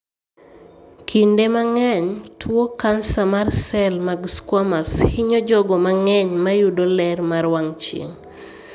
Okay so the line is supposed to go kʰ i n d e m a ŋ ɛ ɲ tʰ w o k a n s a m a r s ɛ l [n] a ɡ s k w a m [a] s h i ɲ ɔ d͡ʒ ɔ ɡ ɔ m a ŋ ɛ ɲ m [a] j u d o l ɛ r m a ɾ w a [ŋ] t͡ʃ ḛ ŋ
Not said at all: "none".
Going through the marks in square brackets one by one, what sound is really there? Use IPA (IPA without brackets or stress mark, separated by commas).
m, a, a, ŋ